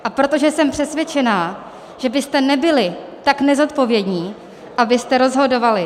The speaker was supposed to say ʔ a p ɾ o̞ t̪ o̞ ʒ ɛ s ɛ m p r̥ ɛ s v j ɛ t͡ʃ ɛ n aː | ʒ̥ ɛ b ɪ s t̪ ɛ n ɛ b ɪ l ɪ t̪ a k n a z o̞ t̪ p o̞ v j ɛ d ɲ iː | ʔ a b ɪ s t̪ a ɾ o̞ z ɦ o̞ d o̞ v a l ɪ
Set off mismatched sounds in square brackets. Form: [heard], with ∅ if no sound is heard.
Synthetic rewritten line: ʔ a p ɾ o̞ t̪ o̞ ʒ ɛ s ɛ m p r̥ ɛ s v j ɛ t͡ʃ ɛ n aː | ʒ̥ ɛ b ɪ s t̪ ɛ n ɛ b ɪ l ɪ t̪ a k n [ɛ] z o̞ t̪ p o̞ v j ɛ d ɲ iː | ʔ a b ɪ s t̪ [ɛ] ɾ o̞ z ɦ o̞ d o̞ v a l ɪ

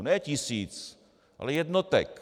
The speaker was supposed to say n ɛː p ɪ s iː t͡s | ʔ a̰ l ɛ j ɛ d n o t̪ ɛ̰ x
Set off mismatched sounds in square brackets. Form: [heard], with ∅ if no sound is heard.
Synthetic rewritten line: n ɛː [c] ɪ s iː t͡s | ʔ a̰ l ɛ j ɛ d n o t̪ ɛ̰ [k]

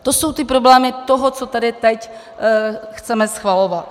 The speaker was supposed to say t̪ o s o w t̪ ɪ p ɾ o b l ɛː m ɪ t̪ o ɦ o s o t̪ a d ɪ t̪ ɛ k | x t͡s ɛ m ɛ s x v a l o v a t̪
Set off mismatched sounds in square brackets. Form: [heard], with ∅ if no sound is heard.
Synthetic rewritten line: t̪ o s o w t̪ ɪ p ɾ o b l ɛː m ɪ t̪ o ɦ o [t͡s] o t̪ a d ɪ t̪ ɛ [c] | x t͡s ɛ m ɛ s x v a l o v a t̪

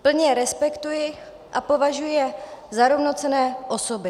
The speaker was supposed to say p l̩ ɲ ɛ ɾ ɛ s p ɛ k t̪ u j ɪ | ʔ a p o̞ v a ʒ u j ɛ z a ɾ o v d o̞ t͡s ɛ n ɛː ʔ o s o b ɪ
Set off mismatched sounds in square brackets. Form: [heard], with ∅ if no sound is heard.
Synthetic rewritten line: p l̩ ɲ ɛ ɾ ɛ s p ɛ k t̪ u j ɪ | ʔ a p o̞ v a ʒ u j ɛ z a ɾ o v [n] o̞ t͡s ɛ n ɛː ʔ o s o b ɪ

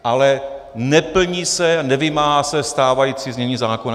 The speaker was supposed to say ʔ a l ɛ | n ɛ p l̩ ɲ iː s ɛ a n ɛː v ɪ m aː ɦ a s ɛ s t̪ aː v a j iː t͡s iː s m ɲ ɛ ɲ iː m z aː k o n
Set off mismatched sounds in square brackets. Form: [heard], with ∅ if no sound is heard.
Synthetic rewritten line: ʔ a l ɛ | n ɛ p l̩ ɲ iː s ɛ a n [ɛ] v ɪ m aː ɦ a s ɛ s t̪ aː v a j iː t͡s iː [z] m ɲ ɛ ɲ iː [∅] z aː k o n

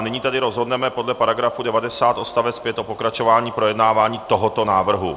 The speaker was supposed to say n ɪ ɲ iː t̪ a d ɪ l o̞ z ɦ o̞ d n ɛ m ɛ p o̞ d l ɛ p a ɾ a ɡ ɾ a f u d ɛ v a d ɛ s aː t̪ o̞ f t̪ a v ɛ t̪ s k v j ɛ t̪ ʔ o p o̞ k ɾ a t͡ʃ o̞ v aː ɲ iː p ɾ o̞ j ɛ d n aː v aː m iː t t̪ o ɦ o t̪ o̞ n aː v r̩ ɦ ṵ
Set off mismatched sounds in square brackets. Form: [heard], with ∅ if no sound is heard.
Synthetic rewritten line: n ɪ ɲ iː t̪ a d ɪ [ɾ] o̞ z ɦ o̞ d n ɛ m ɛ p o̞ d l ɛ p a ɾ a ɡ ɾ a f u d ɛ v a d ɛ s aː t̪ o̞ [s] t̪ a v ɛ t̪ s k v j ɛ t̪ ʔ o p o̞ k ɾ a t͡ʃ o̞ v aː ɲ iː p ɾ o̞ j ɛ d n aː v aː [ɲ] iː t t̪ o ɦ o t̪ o̞ n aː v r̩ ɦ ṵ

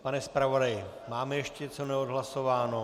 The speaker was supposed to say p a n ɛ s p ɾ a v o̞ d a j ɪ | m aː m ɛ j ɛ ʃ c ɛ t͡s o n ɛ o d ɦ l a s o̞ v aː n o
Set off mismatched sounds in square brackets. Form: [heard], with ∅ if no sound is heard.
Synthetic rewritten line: p a n ɛ s p ɾ a v o̞ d a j ɪ | m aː m ɛ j ɛ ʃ c ɛ t͡s o n ɛ o d ɦ l a s o̞ v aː n o

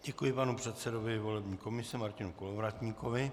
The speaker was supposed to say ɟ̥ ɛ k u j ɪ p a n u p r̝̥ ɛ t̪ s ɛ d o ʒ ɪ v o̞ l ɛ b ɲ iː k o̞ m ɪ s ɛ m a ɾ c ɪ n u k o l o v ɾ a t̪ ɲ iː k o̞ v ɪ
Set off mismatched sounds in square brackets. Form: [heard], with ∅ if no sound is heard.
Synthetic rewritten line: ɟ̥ ɛ k u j ɪ p a n u p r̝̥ ɛ t̪ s ɛ d o [v] ɪ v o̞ l ɛ b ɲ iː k o̞ m ɪ s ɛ m a ɾ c ɪ n u k o l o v ɾ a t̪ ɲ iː k o̞ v ɪ

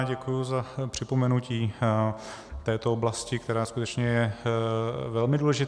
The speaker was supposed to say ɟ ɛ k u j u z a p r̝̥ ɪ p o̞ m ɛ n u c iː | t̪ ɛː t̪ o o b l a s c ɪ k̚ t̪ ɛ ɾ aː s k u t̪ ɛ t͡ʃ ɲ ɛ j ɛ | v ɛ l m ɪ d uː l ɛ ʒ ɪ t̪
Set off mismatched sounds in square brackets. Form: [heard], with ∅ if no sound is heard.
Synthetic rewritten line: ɟ ɛ k u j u z a p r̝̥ ɪ p o̞ m ɛ n u c iː | t̪ ɛː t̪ o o b l a s c ɪ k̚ t̪ ɛ ɾ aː s k u t̪ ɛ t͡ʃ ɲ ɛ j ɛ | v ɛ l m ɪ d uː l ɛ ʒ ɪ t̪

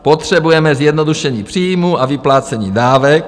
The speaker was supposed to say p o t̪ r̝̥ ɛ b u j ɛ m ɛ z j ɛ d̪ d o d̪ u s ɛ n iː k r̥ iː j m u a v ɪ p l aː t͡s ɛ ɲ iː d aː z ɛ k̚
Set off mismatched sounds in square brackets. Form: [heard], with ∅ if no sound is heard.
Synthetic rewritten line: p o t̪ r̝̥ ɛ b u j ɛ m ɛ z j ɛ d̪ [n] o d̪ u [ʃ] ɛ [ɲ] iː [p] r̥ iː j m u a v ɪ p l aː t͡s ɛ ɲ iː d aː [v] ɛ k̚

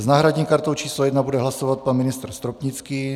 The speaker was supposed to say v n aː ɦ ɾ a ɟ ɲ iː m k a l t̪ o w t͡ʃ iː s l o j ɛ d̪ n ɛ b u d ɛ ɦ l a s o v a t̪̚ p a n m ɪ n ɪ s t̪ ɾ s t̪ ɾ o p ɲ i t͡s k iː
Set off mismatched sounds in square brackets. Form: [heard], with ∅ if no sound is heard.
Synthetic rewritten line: [z] n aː ɦ ɾ a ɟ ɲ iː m k a [ɾ] t̪ o w t͡ʃ iː s l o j ɛ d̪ n [a] b u d ɛ ɦ l a s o v a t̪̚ p a n m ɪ n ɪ s t̪ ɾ s t̪ ɾ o p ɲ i t͡s k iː

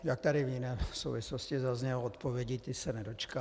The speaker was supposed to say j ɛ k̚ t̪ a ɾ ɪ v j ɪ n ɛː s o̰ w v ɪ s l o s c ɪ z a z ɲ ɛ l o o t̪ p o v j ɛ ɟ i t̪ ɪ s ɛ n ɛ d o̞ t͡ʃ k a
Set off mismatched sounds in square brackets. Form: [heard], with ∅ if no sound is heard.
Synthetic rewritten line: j [a] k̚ t̪ a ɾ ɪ v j ɪ n ɛː s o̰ w v ɪ s l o s c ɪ z a z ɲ ɛ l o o t̪ p o v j ɛ ɟ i t̪ ɪ s ɛ n ɛ d o̞ t͡ʃ k a

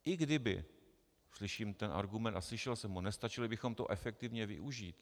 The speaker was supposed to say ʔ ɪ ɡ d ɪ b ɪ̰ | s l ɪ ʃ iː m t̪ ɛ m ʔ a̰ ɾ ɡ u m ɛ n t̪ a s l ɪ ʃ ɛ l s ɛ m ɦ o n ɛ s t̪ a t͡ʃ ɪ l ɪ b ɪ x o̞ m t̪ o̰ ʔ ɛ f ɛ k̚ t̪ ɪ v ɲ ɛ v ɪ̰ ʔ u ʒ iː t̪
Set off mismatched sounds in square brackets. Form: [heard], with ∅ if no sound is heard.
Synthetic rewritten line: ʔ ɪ ɡ d ɪ b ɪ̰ | s l ɪ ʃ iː m t̪ ɛ [n] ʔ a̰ ɾ ɡ u m ɛ n t̪ a s l ɪ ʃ ɛ l s ɛ m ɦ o n ɛ s t̪ a t͡ʃ ɪ l ɪ b ɪ x o̞ m t̪ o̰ ʔ ɛ f ɛ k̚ t̪ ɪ v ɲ ɛ v ɪ̰ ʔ u ʒ iː t̪

